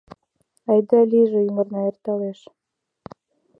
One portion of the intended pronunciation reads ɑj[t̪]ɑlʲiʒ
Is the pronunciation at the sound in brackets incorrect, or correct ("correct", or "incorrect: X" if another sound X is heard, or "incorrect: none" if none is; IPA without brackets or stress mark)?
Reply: incorrect: d̪